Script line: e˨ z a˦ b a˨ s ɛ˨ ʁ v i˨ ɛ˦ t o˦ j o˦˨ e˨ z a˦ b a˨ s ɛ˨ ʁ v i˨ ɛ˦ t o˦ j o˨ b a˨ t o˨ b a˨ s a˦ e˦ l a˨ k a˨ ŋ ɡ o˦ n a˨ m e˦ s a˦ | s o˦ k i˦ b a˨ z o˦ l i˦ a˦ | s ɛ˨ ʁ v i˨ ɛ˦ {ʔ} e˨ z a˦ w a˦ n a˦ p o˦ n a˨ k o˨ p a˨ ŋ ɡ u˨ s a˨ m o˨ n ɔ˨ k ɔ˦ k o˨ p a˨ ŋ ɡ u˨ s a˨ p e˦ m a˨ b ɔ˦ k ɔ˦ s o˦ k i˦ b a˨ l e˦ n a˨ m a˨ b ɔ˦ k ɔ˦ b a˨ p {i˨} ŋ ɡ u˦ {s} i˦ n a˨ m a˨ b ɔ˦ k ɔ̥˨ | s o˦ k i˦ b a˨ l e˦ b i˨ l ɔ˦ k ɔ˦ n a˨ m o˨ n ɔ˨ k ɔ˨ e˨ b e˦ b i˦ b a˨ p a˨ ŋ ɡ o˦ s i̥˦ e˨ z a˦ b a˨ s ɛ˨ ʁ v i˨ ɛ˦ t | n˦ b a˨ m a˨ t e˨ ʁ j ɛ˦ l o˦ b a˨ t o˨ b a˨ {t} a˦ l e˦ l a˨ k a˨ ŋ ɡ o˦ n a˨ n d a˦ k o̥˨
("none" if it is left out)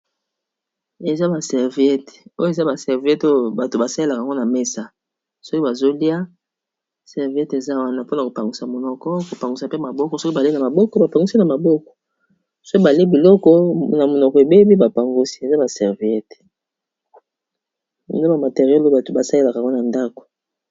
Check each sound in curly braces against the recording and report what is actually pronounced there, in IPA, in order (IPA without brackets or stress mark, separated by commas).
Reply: t, a˨, s, s